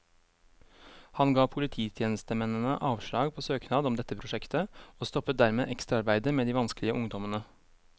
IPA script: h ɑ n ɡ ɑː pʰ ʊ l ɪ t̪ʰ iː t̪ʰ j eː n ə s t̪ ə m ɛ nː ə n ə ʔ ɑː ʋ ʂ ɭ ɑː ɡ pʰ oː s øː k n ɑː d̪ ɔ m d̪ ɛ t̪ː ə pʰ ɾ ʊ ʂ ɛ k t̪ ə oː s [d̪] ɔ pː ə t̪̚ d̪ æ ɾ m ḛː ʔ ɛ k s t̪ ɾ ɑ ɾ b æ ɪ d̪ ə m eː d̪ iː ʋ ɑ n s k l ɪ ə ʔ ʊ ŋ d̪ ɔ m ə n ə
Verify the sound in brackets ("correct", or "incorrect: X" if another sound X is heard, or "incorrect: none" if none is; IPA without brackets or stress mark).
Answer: incorrect: t̪